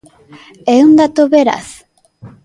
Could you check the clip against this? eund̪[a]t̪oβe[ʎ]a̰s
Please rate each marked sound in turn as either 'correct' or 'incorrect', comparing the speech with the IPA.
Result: correct, incorrect: ɾ

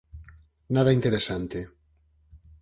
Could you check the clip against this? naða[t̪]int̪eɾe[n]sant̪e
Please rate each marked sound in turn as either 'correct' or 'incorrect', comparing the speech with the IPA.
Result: incorrect: none, incorrect: none

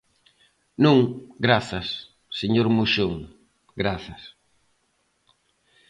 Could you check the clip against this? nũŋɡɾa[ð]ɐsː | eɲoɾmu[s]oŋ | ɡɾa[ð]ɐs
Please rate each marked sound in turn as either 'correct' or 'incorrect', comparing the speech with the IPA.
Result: incorrect: θ, incorrect: ʃ, incorrect: θ

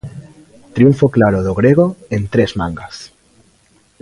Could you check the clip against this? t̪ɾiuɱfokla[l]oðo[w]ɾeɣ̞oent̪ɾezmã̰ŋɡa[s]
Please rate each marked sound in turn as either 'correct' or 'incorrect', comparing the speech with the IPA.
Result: incorrect: ɾ, incorrect: ɣ, correct

